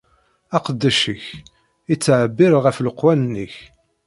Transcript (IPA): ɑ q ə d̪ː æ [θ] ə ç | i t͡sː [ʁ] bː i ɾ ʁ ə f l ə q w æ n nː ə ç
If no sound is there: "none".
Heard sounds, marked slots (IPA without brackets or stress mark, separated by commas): ʃ, ʕ